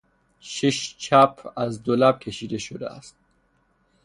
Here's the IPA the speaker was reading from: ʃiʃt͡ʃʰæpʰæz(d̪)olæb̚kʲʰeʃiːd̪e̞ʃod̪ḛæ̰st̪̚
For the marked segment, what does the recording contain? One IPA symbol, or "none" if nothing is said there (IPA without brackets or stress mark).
d̪